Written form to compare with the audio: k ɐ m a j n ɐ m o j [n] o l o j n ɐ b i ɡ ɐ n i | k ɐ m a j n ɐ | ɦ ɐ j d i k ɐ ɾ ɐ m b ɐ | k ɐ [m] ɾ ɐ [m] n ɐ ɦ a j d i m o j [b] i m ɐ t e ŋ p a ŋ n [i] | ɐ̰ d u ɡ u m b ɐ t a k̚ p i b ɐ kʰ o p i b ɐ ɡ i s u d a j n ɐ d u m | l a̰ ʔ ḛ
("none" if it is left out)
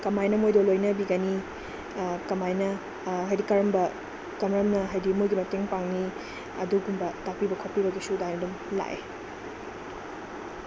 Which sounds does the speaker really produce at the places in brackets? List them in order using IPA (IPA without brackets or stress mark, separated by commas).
d, m, m, ɡ, i